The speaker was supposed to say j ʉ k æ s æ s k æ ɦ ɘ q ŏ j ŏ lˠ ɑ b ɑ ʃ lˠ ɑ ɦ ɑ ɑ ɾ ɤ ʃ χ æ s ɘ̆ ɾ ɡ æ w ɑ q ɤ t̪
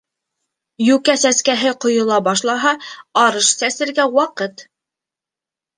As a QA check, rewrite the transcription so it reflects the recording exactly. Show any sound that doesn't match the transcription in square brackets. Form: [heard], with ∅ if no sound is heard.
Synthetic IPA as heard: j ʉ k æ s æ s k æ ɦ ɘ q ŏ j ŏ lˠ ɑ b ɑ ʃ lˠ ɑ ɦ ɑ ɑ ɾ ɤ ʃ [s] æ s ɘ̆ ɾ ɡ æ w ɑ q ɤ t̪